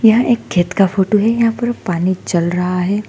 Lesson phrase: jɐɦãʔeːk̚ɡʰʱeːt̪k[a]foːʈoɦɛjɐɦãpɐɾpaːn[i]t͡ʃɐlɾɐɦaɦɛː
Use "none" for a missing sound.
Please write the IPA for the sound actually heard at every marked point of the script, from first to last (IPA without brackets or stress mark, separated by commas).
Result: a, i